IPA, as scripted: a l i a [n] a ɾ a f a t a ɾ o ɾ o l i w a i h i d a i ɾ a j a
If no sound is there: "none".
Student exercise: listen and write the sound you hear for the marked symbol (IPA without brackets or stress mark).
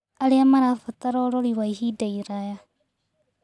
m